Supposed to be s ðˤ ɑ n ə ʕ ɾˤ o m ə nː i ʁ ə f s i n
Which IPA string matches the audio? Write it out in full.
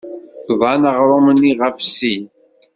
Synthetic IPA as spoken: θ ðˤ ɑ n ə ʁ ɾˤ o m ə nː i ʁ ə f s i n